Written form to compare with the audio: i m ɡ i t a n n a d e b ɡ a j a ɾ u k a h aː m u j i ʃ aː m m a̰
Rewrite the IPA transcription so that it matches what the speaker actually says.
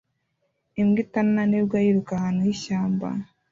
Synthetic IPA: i m ɡ i t a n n a n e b ɡ a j i ɾ u k a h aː n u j i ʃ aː m b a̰